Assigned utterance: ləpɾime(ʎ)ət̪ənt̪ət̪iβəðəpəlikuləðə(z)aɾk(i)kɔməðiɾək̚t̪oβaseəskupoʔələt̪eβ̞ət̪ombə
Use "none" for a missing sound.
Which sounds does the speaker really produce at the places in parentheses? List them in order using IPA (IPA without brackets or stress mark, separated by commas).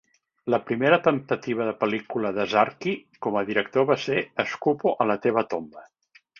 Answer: ɾ, z, i